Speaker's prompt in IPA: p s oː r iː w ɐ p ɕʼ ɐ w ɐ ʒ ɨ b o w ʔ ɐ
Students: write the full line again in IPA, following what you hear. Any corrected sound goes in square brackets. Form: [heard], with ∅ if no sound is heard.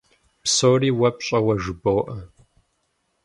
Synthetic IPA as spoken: p s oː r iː w ɐ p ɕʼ ɐ w ɐ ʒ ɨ b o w ʔ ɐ